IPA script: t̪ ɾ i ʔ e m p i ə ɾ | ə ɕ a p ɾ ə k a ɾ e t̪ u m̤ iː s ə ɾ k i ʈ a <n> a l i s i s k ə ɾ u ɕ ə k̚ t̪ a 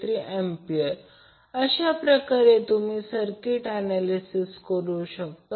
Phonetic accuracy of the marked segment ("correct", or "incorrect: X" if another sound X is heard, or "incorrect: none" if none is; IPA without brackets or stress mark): correct